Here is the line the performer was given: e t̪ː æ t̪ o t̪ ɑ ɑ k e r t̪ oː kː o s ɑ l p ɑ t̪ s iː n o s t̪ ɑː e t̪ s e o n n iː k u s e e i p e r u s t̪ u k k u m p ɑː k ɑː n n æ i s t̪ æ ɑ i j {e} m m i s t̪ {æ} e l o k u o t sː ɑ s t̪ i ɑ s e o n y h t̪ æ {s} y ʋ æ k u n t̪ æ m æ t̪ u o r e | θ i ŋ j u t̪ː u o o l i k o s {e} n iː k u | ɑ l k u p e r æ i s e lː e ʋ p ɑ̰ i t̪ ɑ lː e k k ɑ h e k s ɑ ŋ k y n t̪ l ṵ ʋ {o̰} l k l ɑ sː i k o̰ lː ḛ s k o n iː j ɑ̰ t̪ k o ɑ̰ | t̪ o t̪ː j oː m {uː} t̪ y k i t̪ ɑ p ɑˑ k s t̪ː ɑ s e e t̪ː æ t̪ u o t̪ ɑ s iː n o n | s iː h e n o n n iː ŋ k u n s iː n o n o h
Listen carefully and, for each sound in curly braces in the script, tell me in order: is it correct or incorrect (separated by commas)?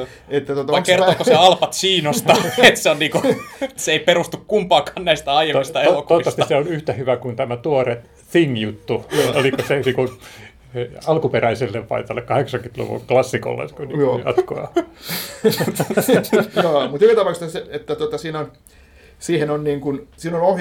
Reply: correct, correct, incorrect, correct, incorrect, incorrect